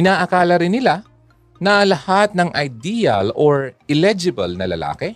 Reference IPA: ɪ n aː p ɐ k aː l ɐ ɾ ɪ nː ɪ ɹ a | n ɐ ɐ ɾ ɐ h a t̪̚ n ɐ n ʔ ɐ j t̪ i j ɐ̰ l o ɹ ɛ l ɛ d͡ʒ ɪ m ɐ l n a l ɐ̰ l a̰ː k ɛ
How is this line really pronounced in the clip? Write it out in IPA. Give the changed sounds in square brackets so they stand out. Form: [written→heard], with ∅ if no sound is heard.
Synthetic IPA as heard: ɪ n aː [p→ʔ] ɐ k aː l ɐ ɾ ɪ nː ɪ [ɹ→l] a | n ɐ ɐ [ɾ→l] ɐ h a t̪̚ n ɐ [n→ŋ] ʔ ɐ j [t̪→d̪] i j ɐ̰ l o ɹ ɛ l ɛ d͡ʒ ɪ [m→b] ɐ l n [a→ɐ] l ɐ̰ l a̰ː k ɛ